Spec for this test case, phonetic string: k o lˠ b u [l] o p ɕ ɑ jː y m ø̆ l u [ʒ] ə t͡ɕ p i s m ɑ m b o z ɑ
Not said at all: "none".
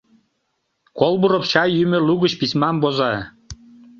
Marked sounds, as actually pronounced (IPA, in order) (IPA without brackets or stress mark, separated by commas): ɾ, ɣ